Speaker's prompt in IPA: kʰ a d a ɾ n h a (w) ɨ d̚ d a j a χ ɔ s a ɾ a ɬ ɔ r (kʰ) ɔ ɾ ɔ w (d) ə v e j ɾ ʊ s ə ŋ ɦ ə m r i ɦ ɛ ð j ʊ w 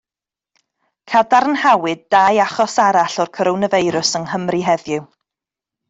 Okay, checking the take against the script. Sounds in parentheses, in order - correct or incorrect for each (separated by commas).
correct, correct, incorrect